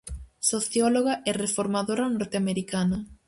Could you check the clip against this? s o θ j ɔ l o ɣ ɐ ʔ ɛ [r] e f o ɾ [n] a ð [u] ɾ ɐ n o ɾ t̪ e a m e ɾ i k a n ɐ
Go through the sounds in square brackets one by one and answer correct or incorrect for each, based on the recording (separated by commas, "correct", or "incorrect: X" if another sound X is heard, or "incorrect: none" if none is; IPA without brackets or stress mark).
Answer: correct, incorrect: m, incorrect: o